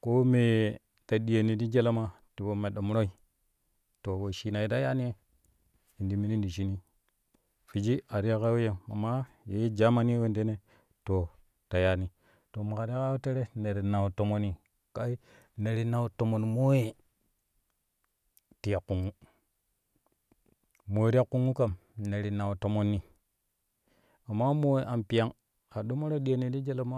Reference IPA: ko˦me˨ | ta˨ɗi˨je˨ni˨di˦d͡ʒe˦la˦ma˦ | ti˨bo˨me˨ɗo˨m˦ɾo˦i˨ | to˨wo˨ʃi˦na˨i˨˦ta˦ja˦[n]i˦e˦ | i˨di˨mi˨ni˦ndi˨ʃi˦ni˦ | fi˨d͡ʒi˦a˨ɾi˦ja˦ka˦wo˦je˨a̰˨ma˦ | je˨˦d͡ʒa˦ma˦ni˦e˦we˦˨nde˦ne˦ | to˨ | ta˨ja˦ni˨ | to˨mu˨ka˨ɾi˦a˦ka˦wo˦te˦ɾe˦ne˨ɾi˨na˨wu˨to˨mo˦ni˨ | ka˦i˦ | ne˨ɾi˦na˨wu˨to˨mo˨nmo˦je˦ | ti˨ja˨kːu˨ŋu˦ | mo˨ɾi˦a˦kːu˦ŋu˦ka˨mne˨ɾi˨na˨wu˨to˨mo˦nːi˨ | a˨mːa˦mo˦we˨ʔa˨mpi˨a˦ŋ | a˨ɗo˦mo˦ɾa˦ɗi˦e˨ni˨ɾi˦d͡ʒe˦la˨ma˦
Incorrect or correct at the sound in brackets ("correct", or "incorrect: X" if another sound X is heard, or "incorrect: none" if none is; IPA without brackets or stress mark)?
correct